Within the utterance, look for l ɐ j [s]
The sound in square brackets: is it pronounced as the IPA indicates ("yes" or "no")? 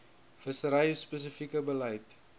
no